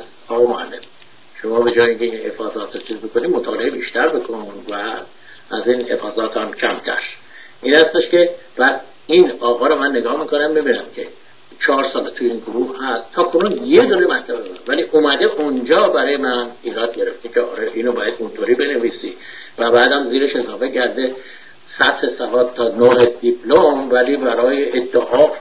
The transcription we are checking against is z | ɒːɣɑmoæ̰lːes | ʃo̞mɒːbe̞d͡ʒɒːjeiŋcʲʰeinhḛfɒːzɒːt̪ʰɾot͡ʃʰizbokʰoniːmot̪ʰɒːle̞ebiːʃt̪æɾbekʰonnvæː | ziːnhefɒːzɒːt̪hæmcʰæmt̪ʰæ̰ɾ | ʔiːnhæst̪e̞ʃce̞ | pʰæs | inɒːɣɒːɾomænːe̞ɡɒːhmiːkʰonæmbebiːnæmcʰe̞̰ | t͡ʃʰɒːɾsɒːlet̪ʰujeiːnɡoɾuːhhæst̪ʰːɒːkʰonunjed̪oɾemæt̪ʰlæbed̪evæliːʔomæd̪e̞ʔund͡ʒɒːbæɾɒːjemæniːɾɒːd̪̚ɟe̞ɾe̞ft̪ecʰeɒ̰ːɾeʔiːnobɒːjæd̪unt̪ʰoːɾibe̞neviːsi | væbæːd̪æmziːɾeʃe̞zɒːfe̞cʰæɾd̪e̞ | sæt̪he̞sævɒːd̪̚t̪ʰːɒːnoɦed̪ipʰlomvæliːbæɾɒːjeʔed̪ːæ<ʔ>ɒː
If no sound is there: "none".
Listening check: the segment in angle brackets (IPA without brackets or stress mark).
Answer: ʔ